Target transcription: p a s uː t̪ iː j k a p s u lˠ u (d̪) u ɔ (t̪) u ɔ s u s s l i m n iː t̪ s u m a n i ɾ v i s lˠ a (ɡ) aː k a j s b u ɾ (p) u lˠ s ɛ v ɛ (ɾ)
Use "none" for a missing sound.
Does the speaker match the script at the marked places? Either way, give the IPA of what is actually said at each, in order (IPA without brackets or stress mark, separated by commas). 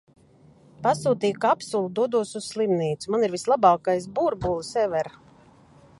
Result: d̪, d̪, b, b, ɾ